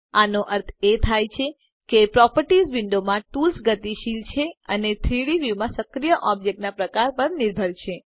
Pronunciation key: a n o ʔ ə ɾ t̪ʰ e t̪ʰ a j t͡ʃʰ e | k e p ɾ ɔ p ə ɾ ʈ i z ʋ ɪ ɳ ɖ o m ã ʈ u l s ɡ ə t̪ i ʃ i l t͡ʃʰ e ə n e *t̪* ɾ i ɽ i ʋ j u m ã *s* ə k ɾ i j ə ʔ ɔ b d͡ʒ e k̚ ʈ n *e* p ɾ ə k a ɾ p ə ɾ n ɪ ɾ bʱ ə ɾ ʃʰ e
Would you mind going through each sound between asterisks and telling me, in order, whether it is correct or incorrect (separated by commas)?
incorrect, correct, incorrect